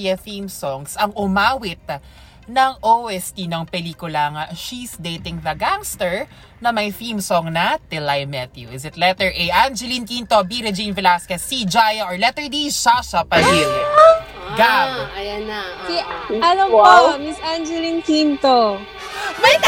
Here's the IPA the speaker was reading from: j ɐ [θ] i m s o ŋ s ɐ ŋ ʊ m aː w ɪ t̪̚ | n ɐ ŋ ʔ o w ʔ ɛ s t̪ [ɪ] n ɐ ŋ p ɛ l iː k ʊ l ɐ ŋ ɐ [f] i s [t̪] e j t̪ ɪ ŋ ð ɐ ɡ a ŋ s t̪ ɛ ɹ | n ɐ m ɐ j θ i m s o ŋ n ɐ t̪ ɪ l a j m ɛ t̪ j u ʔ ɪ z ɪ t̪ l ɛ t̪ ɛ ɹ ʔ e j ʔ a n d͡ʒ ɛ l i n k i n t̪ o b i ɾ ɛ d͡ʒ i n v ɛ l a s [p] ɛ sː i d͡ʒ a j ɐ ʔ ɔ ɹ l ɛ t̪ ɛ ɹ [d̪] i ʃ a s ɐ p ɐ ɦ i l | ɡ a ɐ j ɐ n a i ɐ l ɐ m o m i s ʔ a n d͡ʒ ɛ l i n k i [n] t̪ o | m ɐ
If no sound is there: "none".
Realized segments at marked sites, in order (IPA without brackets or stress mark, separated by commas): θ, i, ʃ, d̪, k, d̪, n